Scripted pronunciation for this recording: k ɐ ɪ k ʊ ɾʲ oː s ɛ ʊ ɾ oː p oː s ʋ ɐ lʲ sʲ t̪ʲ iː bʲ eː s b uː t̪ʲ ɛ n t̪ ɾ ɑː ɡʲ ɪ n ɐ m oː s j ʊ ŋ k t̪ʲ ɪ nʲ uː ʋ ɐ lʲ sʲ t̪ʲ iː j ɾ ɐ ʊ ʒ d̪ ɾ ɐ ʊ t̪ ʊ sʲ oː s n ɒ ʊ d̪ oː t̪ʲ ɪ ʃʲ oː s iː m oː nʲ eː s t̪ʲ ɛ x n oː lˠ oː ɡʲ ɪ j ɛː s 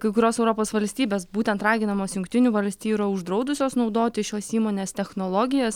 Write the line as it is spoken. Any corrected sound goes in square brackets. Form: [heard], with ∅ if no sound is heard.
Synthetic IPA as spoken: k ɐ ɪ k ʊ ɾʲ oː s ɛ ʊ ɾ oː p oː s ʋ ɐ lʲ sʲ t̪ʲ iː bʲ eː s b uː t̪ʲ ɛ n t̪ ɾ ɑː ɡʲ ɪ n ɐ m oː s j ʊ ŋ k t̪ʲ ɪ nʲ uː ʋ ɐ lʲ sʲ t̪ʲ iː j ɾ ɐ ʊ ʒ d̪ ɾ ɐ ʊ [d̪] ʊ sʲ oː s n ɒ ʊ d̪ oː t̪ʲ ɪ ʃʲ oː s iː m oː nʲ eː s t̪ʲ ɛ x n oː lˠ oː ɡʲ ɪ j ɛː s